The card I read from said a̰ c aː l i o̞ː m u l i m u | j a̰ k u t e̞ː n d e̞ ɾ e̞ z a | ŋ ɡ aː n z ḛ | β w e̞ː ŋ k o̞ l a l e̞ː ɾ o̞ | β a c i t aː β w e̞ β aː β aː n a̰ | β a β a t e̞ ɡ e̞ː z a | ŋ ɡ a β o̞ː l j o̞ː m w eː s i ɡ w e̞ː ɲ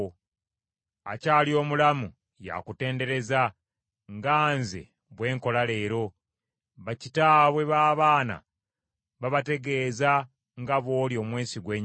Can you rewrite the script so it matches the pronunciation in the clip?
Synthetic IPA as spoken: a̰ c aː l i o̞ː m u l a m u | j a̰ k u t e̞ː n d e̞ ɾ e̞ z a | ŋ ɡ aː n z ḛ | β w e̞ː ŋ k o̞ l a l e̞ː ɾ o̞ | β a c i t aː β w e̞ β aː β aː n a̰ | β a β a t e̞ ɡ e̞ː z a | ŋ ɡ a β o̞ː l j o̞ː m w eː s i ɡ w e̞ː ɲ